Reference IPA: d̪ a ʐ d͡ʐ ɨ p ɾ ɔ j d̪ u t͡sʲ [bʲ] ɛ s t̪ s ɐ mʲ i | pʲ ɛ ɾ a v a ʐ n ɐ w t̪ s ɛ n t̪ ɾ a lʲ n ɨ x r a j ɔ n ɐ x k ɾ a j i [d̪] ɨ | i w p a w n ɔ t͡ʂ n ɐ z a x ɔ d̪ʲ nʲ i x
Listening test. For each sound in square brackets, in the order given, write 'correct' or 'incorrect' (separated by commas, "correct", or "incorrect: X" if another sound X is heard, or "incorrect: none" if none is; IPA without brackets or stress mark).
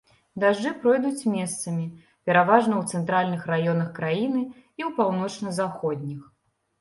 incorrect: mʲ, incorrect: n̪